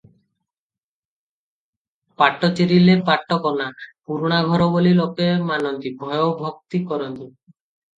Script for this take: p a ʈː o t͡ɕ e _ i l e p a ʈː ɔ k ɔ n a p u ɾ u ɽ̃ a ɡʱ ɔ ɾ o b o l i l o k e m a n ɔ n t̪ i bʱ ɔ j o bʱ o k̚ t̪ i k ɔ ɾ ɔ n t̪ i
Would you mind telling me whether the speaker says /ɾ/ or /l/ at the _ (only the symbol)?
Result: ɾ